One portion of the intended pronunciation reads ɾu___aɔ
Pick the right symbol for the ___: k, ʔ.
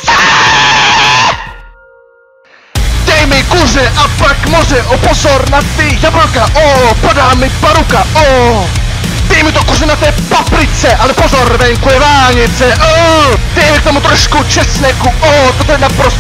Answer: k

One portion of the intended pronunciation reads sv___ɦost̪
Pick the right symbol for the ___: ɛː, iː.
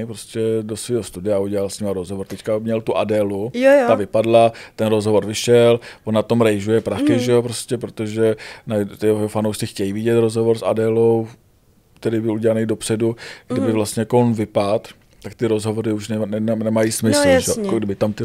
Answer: iː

